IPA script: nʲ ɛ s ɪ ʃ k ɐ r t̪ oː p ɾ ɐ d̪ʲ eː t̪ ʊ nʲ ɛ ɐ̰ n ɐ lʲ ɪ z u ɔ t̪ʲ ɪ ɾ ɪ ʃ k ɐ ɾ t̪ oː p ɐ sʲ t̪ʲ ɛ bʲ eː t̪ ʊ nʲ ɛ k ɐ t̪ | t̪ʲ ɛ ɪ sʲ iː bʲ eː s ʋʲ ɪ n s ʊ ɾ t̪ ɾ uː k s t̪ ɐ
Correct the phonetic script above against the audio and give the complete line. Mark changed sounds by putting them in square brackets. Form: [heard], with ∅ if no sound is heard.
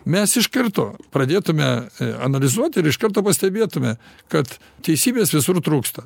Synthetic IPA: [mʲ] ɛ s ɪ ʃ k ɐ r t̪ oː p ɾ ɐ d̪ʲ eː t̪ ʊ [mʲ] ɛ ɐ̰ n ɐ lʲ ɪ z u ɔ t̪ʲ ɪ ɾ ɪ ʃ k ɐ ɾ t̪ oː p ɐ sʲ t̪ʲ ɛ bʲ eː t̪ ʊ [mʲ] ɛ k ɐ t̪ | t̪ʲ ɛ ɪ sʲ iː bʲ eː s ʋʲ ɪ [∅] s ʊ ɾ t̪ ɾ uː k s t̪ ɐ